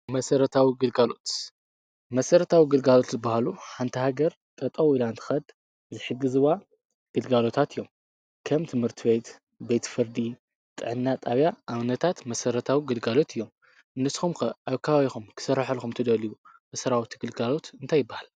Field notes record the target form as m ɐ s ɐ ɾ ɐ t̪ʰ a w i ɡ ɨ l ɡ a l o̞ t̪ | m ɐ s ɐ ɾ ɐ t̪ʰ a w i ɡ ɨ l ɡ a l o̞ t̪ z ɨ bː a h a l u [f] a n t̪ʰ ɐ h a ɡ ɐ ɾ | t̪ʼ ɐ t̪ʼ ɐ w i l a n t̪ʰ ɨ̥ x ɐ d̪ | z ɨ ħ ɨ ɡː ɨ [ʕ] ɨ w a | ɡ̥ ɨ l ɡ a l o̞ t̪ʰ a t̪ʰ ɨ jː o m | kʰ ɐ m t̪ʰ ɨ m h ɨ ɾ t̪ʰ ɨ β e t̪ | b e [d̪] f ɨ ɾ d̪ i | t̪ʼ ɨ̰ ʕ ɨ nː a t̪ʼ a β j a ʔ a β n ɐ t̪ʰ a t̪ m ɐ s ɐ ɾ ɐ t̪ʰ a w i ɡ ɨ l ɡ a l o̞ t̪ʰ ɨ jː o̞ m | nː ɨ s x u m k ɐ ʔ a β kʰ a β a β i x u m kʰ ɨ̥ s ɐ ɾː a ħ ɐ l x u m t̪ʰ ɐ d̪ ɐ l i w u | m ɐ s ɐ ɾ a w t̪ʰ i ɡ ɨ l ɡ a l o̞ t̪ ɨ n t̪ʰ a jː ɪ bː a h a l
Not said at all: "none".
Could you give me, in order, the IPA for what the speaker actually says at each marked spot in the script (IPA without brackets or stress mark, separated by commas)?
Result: ħ, z, t̪